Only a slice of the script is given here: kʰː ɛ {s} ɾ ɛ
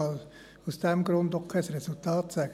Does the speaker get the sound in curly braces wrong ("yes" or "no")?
no